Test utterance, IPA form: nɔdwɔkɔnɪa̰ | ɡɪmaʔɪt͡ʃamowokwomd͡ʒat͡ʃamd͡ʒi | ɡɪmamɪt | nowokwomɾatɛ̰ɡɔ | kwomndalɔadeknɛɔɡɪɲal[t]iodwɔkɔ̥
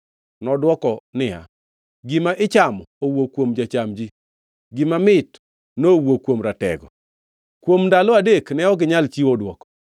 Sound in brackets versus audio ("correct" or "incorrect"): incorrect